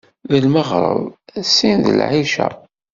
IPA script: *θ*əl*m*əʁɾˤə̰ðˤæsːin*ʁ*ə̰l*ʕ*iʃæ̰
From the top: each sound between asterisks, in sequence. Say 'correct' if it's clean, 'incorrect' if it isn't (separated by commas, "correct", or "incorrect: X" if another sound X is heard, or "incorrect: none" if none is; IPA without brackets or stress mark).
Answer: incorrect: ð, correct, incorrect: ð, correct